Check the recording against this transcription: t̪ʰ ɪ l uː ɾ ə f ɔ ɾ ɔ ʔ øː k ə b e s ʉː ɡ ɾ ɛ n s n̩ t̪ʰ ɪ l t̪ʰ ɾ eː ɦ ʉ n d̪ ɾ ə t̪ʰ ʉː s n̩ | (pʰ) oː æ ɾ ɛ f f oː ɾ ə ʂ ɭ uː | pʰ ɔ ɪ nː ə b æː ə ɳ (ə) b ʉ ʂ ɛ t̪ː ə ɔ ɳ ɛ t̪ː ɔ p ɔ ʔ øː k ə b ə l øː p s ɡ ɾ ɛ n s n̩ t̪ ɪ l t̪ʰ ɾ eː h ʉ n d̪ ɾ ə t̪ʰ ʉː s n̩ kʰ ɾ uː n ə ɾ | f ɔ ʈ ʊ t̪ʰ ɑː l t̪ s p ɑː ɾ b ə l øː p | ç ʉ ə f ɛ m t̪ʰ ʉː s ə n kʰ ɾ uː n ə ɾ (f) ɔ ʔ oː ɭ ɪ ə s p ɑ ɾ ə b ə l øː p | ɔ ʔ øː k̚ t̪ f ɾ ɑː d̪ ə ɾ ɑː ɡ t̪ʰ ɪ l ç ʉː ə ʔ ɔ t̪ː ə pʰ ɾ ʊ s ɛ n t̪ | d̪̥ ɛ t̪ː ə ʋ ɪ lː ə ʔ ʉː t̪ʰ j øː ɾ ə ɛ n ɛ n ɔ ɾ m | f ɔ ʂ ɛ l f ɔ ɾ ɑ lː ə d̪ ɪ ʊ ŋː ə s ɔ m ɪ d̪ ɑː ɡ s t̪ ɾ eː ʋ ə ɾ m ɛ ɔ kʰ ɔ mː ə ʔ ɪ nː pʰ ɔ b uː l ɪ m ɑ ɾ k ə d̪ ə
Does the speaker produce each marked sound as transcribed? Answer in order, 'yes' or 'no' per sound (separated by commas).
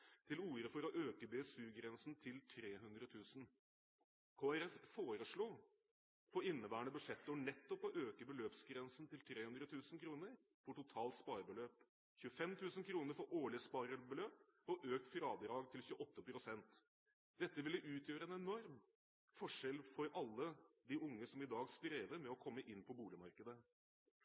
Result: no, yes, yes